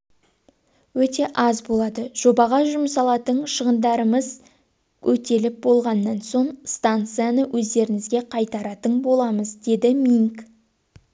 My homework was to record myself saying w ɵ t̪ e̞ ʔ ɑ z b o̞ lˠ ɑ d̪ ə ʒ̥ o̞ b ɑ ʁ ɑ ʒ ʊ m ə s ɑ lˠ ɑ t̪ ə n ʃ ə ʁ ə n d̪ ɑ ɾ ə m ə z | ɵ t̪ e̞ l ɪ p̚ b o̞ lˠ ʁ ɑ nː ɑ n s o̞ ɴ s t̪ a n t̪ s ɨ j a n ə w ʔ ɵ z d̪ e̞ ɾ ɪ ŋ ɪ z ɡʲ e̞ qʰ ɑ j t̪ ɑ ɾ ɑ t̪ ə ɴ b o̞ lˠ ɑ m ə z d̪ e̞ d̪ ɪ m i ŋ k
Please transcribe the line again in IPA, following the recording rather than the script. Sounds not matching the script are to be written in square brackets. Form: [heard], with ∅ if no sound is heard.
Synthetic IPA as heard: w ɵ t̪ e̞ ʔ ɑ z b o̞ lˠ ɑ d̪ ə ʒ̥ o̞ b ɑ ʁ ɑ ʒ ʊ m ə s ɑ lˠ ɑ t̪ ə [ɴ] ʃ ə ʁ ə n d̪ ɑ ɾ ə m ə z | ɵ t̪ e̞ l ɪ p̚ b o̞ lˠ ʁ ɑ nː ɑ n s o̞ ɴ s t̪ a n t̪ s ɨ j a n ə w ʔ ɵ z d̪ e̞ ɾ ɪ ŋ ɪ z ɡʲ e̞ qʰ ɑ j t̪ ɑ ɾ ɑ t̪ ə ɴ b o̞ lˠ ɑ m ə z d̪ e̞ d̪ ɪ m i ŋ k